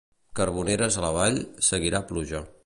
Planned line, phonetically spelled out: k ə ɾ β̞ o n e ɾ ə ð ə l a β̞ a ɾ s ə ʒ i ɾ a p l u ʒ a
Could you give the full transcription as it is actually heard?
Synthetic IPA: k ə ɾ β̞ u n e ɾ ə z ə l ə β̞ a ʎ s ə ɣ i ɾ a p l u ʒ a